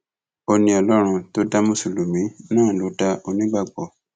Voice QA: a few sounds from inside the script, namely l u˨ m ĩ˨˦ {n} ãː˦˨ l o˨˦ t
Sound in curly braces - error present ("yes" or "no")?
no